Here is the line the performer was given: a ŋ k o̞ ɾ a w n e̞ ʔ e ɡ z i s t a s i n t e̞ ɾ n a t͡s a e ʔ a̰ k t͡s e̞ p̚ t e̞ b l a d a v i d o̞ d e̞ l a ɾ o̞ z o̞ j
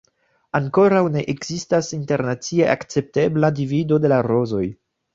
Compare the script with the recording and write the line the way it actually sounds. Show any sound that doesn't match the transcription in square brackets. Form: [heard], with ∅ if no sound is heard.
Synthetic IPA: a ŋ k o̞ ɾ a w n e̞ ʔ e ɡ z i s t a s i n t e̞ ɾ n a t͡s [i] e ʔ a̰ k t͡s e̞ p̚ t e̞ b l a d [i] v i d o̞ d e̞ l a ɾ o̞ z o̞ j